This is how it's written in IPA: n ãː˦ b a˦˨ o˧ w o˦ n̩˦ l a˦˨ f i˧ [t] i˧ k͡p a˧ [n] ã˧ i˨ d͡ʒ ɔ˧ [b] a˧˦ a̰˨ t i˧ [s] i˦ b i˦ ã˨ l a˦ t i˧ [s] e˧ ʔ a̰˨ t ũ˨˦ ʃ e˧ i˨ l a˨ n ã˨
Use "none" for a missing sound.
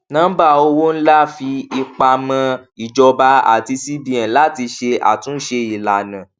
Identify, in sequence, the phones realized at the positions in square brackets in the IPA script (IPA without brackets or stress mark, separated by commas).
none, m, b, s, ʃ